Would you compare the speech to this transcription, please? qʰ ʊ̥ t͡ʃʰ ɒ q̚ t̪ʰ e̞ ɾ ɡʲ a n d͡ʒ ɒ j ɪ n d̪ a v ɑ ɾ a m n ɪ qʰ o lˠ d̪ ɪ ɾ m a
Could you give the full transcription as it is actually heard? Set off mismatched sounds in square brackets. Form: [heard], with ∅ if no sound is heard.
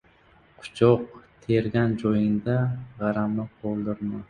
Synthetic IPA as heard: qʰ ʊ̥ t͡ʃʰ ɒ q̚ t̪ʰ e̞ ɾ ɡʲ a n d͡ʒ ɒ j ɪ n d̪ a [ʁ] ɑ ɾ a m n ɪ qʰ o lˠ d̪ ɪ ɾ m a